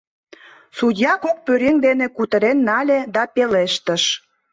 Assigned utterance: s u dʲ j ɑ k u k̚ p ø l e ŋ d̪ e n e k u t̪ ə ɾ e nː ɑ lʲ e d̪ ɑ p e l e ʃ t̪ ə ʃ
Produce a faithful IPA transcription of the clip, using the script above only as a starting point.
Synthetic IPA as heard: s u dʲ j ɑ k o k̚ p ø ɾ e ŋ d̪ e n e k u t̪ ə ɾ e nː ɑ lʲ e d̪ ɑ p e l e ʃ t̪ ə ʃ